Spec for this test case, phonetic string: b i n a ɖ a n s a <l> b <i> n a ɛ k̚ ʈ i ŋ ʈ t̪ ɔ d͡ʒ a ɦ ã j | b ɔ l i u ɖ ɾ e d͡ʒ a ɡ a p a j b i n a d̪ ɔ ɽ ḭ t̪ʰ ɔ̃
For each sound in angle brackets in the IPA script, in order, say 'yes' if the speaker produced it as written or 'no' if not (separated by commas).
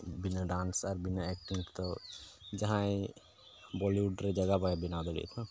no, yes